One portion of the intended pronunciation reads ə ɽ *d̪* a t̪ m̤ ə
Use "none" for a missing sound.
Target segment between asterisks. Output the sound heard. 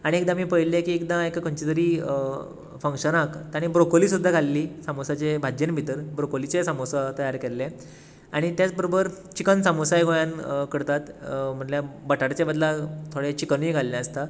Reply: t̪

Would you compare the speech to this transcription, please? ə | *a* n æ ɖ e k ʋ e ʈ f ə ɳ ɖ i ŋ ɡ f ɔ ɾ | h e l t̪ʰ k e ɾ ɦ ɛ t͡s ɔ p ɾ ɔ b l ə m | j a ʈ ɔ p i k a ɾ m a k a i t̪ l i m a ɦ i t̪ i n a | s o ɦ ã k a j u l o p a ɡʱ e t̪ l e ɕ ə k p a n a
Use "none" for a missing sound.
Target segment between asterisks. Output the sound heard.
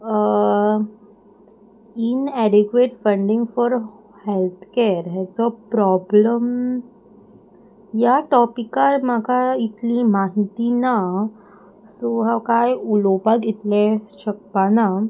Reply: i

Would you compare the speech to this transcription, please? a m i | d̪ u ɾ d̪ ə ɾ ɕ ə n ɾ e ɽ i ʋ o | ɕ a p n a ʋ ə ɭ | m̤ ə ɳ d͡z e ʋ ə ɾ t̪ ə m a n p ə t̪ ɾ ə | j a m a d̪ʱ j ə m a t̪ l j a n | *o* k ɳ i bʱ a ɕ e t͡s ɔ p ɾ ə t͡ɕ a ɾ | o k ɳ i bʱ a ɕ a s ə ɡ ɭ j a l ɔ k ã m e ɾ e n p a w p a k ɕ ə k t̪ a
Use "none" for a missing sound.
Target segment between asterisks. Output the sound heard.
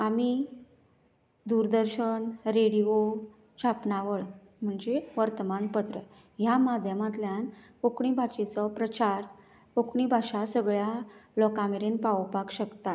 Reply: o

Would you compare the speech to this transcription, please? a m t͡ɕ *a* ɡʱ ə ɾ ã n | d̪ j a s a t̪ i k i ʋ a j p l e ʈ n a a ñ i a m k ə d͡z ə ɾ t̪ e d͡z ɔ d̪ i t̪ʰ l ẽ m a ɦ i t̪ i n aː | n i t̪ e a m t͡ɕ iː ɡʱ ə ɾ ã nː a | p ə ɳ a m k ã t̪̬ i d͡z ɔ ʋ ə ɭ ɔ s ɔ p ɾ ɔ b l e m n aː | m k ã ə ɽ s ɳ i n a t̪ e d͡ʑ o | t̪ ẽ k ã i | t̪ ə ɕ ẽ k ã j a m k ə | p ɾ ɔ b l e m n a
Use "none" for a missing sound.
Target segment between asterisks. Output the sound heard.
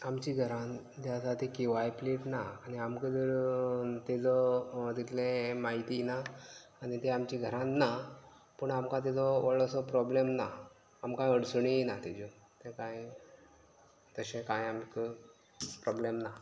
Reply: i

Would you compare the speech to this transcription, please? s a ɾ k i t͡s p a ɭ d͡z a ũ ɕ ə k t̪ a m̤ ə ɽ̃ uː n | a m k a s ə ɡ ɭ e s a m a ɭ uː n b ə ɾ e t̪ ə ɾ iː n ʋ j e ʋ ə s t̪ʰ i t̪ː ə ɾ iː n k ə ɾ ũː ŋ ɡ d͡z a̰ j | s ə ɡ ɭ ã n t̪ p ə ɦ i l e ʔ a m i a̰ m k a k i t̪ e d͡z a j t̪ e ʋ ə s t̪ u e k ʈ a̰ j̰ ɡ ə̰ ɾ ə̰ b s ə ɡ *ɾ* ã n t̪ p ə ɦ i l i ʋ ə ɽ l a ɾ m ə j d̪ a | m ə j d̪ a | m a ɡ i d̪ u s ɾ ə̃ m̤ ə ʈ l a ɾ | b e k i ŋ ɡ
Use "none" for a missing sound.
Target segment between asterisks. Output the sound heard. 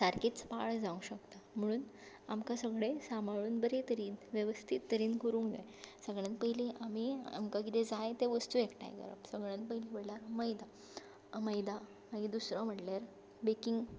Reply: ɭ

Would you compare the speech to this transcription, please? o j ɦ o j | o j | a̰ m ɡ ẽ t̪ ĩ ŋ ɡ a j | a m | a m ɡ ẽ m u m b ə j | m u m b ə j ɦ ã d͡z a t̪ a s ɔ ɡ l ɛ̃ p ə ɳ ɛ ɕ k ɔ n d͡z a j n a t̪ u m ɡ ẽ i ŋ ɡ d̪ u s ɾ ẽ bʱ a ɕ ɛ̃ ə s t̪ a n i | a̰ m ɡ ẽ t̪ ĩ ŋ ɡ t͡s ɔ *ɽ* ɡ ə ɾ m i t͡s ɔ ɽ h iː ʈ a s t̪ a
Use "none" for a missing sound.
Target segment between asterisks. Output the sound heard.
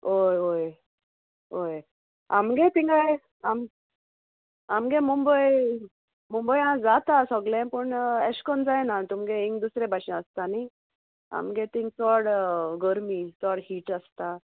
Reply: ɽ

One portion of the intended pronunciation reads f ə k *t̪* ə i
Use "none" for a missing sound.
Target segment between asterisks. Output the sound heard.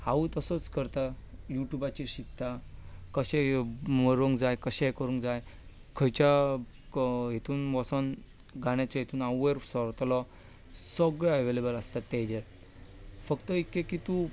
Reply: t̪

